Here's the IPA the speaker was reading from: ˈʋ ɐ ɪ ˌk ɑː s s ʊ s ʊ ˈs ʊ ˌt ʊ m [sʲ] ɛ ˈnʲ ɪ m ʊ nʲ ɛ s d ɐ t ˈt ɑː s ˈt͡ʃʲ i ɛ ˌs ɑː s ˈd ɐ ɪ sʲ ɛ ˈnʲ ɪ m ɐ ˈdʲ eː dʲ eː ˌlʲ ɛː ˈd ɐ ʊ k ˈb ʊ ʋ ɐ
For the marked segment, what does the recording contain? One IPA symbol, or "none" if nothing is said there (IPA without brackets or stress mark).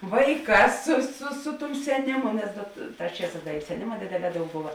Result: sʲ